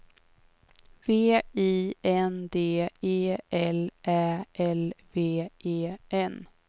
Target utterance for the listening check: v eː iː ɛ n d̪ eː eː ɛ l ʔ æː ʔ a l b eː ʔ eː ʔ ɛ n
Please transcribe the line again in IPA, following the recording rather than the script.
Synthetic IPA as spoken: v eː iː ɛ n d̪ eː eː ɛ l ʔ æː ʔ ɛ l v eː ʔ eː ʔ ɛ n